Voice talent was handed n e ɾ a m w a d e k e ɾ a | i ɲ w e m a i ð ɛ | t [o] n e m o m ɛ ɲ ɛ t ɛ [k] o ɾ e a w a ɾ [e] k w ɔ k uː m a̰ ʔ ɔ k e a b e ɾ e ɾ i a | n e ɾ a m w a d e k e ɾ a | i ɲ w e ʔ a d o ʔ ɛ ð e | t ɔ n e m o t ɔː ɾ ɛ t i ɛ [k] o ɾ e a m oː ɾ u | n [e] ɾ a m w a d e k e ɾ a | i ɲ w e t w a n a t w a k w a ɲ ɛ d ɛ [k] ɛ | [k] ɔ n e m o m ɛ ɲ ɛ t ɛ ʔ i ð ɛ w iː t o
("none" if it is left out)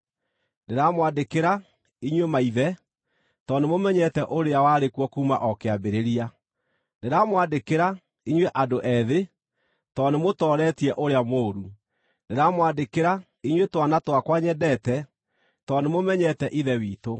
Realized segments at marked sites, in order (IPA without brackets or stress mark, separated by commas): ɔ, ʔ, e, ʔ, e, t, t